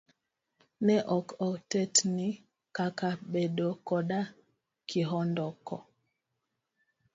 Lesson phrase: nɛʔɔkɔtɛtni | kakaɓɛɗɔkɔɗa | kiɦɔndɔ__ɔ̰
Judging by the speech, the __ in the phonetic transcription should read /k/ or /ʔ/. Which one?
k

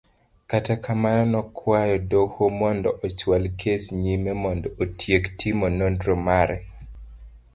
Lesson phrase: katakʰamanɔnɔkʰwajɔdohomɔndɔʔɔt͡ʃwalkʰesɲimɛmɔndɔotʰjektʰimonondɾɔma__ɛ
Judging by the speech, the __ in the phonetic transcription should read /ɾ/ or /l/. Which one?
ɾ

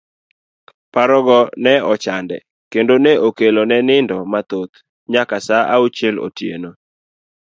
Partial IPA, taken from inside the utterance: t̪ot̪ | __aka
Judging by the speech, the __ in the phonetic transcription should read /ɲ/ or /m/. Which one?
ɲ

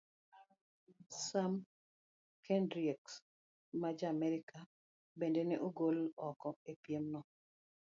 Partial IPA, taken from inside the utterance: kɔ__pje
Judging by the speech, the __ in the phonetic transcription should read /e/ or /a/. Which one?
e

